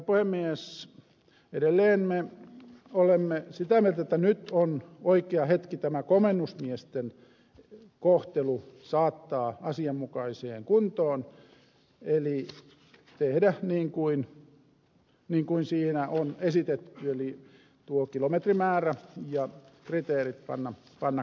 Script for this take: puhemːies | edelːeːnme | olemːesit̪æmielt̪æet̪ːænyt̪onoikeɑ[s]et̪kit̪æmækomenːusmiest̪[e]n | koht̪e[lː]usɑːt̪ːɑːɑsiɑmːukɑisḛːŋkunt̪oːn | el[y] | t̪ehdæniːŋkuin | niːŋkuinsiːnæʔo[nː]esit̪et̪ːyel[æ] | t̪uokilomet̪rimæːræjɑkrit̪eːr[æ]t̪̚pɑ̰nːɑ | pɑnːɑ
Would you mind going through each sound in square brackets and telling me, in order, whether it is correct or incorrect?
incorrect, correct, incorrect, incorrect, incorrect, incorrect, incorrect

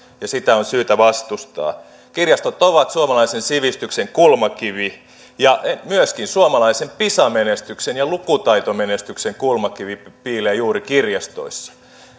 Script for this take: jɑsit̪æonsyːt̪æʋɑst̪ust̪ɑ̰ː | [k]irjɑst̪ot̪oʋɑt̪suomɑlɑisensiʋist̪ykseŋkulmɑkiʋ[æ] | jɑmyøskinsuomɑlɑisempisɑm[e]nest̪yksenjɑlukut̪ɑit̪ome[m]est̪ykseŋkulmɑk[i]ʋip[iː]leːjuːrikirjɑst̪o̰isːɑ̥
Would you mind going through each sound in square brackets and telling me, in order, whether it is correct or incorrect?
correct, incorrect, correct, incorrect, correct, correct

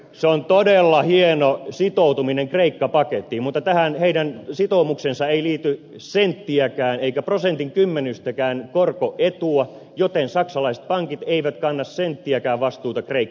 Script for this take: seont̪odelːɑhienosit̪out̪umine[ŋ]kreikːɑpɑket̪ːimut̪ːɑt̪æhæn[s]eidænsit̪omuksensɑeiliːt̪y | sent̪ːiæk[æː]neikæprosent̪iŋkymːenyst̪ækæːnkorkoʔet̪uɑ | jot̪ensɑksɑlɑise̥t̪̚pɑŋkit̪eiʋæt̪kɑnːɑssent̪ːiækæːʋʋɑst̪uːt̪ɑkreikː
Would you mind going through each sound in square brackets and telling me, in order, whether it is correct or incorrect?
correct, incorrect, correct

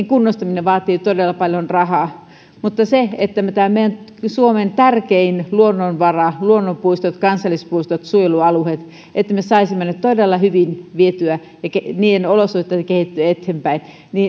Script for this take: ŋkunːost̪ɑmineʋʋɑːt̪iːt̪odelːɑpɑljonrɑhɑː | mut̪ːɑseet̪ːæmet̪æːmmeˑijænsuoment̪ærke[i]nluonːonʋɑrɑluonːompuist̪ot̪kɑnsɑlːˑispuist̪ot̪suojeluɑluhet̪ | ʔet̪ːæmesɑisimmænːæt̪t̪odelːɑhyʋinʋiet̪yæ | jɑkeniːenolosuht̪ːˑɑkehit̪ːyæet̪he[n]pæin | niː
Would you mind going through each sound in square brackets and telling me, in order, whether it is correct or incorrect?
correct, incorrect

